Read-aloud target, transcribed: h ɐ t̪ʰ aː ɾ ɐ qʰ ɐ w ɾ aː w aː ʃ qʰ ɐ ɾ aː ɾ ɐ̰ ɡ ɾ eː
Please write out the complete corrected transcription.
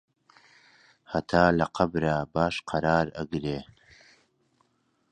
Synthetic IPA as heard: h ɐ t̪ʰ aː l ɐ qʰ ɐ b ɾ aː b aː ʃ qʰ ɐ ɾ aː ɾ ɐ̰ ɡ ɾ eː

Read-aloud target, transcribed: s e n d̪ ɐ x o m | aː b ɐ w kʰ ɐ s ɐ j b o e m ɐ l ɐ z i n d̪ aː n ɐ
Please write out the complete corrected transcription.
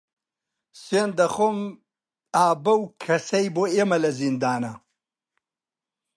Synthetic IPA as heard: s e n d̪ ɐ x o m | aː b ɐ w kʰ ɐ s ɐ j b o e m ɐ l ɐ z i n d̪ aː n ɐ

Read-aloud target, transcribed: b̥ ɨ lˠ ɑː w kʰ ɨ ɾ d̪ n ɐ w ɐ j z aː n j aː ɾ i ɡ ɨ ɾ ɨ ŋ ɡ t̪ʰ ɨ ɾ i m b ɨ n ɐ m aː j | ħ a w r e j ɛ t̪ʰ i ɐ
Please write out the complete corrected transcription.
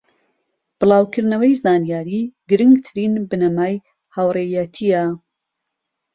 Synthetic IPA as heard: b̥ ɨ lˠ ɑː w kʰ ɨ ɾ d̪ n ɐ w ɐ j z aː n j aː ɾ i ɡ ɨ ɾ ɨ ŋ ɡ t̪ʰ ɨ ɾ i n b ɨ n ɐ m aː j | h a w r e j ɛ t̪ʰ i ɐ

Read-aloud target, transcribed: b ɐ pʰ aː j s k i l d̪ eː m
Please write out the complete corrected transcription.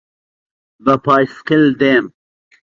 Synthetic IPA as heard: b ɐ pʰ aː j s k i l d̪ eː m

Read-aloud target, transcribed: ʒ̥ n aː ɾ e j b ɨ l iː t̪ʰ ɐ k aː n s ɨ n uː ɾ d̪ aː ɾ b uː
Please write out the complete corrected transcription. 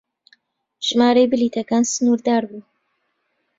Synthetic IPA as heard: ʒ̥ m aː ɾ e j b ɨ l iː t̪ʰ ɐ k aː n s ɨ n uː ɾ d̪ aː ɾ b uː

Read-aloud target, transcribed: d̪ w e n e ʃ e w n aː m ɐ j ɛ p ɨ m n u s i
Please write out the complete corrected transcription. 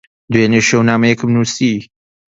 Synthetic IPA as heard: d̪ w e n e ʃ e w n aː m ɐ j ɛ k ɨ m n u s i

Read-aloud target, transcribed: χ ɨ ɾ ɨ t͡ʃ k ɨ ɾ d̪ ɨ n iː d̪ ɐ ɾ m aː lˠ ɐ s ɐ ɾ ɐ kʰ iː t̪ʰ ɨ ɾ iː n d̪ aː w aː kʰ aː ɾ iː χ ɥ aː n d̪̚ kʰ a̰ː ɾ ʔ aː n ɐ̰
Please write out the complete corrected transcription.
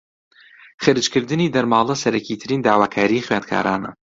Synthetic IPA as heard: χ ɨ ɾ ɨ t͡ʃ k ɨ ɾ d̪ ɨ n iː d̪ ɐ ɾ m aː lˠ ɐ s ɐ ɾ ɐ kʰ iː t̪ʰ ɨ ɾ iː n d̪ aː w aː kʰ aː ɾ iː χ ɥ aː n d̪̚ kʰ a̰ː ɾ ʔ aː n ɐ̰

